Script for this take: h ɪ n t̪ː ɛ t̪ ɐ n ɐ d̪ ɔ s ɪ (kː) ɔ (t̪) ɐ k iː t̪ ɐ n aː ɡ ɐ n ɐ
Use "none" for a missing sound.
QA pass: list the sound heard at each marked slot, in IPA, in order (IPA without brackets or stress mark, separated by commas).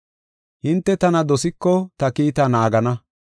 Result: kː, t̪